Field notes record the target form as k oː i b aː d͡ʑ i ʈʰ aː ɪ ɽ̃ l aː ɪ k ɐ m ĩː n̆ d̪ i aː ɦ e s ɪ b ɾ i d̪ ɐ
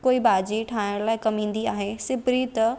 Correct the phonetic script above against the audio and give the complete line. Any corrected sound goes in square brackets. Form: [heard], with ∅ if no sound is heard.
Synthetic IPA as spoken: k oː i b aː d͡ʑ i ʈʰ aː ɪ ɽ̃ l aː ɪ k ɐ m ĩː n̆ d̪ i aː ɦ e s ɪ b ɾ i [t̪] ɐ